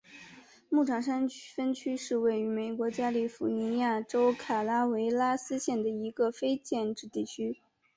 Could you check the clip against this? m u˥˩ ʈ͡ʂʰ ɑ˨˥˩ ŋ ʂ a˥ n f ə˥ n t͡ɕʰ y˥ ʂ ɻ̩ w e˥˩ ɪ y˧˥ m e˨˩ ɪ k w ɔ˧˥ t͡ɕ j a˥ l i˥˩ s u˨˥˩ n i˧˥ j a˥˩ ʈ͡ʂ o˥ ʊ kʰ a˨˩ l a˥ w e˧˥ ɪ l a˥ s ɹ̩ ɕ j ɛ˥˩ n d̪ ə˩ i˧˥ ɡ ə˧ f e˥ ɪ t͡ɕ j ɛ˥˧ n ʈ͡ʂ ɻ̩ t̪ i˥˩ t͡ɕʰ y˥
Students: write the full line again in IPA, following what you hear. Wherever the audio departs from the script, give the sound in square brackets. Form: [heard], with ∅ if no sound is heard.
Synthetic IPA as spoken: m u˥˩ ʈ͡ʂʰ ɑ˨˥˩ ŋ ʂ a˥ n f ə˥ n t͡ɕʰ y˥ ʂ ɻ̩ w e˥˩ ɪ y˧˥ m e˨˩ ɪ k w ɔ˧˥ t͡ɕ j a˥ l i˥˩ [f] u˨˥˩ n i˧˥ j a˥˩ ʈ͡ʂ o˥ ʊ kʰ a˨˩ l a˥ w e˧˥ ɪ l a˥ s ɹ̩ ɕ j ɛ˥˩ n d̪ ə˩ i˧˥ ɡ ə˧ f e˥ ɪ t͡ɕ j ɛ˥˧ n ʈ͡ʂ ɻ̩ t̪ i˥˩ t͡ɕʰ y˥